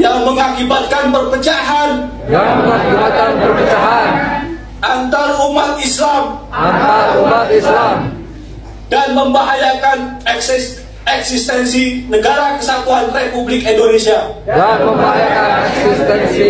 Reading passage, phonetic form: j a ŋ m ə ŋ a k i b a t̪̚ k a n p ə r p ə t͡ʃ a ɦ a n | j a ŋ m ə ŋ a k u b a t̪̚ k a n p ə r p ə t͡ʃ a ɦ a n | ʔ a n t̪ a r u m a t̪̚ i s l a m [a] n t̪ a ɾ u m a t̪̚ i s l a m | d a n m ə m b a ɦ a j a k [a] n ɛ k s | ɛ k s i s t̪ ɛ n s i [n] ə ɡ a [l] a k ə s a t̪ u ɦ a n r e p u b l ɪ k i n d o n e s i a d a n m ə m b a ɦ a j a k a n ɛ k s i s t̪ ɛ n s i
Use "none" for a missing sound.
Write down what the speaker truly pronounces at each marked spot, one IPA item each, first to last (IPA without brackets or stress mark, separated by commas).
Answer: a, a, n, ɾ